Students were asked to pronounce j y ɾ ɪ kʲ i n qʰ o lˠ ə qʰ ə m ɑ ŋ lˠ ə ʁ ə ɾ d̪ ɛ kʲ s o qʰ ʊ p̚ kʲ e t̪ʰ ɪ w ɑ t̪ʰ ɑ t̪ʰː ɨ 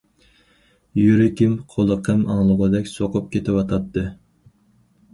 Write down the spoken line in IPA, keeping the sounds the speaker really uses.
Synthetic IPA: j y ɾ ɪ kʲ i m qʰ o lˠ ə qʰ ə m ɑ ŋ lˠ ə ʁ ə d̪ ɛ kʲ s o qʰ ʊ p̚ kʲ e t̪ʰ ɪ w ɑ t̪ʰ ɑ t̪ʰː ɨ